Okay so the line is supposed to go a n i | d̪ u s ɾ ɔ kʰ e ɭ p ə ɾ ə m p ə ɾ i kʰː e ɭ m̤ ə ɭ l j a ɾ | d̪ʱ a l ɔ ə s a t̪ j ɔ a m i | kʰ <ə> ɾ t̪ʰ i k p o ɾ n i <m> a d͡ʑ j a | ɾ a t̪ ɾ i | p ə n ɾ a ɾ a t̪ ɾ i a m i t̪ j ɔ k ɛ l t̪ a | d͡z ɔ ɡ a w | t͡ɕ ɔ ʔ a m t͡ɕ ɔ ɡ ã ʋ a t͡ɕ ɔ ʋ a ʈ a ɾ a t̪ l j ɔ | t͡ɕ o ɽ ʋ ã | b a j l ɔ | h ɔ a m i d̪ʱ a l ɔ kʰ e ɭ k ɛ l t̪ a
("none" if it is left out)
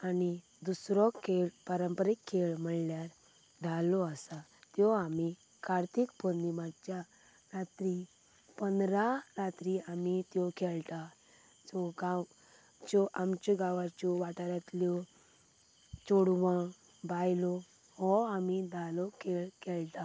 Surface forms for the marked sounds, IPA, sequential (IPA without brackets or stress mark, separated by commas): a, m